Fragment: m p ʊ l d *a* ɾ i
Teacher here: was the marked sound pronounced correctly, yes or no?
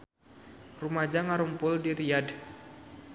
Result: no